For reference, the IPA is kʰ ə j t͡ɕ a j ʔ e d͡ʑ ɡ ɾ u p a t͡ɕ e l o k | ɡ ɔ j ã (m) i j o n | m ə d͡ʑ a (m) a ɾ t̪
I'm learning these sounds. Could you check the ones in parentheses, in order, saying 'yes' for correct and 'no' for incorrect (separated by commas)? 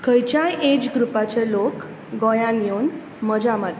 no, yes